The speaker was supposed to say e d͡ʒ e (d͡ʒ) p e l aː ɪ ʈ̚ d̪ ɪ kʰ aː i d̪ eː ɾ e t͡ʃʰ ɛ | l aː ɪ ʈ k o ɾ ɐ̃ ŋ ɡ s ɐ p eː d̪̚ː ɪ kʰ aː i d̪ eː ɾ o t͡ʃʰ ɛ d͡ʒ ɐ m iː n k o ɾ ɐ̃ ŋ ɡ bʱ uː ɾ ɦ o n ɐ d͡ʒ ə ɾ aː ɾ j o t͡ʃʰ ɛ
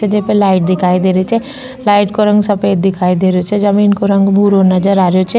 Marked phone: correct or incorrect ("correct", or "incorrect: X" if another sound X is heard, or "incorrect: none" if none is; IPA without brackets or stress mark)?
incorrect: none